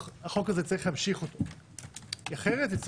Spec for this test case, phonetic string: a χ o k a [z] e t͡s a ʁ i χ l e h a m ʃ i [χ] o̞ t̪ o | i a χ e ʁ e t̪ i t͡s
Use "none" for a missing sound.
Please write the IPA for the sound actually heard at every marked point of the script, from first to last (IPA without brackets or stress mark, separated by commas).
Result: z, χ